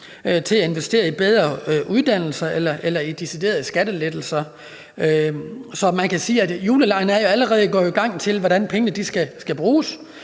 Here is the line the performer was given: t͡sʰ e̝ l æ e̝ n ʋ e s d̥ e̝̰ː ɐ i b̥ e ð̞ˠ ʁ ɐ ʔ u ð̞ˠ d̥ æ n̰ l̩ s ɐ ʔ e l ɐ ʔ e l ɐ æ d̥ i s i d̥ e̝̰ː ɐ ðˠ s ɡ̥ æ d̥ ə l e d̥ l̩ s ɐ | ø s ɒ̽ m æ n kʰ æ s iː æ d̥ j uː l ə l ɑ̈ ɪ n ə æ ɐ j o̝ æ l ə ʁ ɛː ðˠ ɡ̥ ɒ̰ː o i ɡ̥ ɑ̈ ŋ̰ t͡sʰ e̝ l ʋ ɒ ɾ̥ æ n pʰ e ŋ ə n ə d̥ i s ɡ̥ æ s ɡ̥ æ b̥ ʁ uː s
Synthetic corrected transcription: t͡sʰ e̝ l æ e̝ n ʋ e s d̥ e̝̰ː ɐ i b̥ e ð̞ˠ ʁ ɐ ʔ u ð̞ˠ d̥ æ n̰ l̩ s ɐ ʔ e l ɐ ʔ e l ɐ i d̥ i s i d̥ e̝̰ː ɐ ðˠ s ɡ̥ æ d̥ ə l e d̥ l̩ s ɐ | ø s ɒ̽ m æ n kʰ æ s iː æ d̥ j uː l ə l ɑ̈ ɪ n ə æ ɐ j o̝ æ l ə ʁ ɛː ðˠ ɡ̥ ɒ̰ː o i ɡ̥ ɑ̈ ŋ̰ t͡sʰ e̝ l ʋ ɒ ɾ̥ æ n pʰ e ŋ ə n ə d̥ i s ɡ̥ æ s ɡ̥ æ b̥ ʁ uː s